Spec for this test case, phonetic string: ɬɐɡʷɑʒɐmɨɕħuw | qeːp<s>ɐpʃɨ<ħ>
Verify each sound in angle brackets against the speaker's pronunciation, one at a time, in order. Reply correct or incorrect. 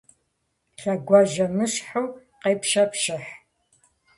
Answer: incorrect, correct

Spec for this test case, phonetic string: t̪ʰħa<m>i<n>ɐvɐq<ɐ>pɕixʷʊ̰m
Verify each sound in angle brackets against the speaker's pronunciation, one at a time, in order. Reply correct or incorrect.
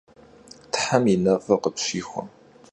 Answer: correct, correct, incorrect

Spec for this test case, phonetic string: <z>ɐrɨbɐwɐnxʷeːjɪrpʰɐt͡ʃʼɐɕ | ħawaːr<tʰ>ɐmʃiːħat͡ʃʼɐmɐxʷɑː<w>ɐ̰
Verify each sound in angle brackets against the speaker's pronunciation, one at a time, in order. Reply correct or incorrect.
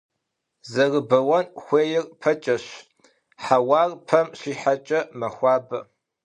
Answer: correct, incorrect, incorrect

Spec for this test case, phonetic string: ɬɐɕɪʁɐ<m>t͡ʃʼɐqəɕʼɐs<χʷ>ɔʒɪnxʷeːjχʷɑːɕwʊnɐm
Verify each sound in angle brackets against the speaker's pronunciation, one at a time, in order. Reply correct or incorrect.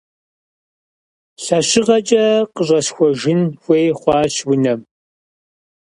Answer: incorrect, incorrect

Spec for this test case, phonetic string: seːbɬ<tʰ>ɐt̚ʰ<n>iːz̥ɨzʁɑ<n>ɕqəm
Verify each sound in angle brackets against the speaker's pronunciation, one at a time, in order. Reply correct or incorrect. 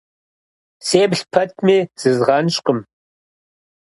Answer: incorrect, incorrect, correct

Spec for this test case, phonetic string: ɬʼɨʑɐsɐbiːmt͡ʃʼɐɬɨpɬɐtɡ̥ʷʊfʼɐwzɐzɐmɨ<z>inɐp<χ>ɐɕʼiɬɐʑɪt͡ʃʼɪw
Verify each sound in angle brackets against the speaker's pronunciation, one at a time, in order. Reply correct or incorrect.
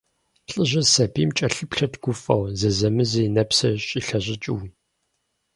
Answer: correct, incorrect

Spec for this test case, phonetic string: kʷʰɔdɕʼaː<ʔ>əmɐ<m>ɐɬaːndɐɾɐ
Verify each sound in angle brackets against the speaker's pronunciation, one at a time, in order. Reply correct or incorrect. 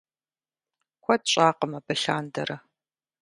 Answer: incorrect, incorrect

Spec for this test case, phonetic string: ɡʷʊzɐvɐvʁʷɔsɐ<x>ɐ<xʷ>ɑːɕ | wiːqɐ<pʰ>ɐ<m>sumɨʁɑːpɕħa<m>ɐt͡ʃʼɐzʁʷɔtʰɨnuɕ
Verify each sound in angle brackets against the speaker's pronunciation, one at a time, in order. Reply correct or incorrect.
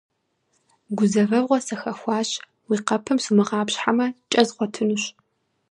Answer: correct, correct, correct, correct, correct

